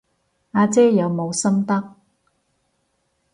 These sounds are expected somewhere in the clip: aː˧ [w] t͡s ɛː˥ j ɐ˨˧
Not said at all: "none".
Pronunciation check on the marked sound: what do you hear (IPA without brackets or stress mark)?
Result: none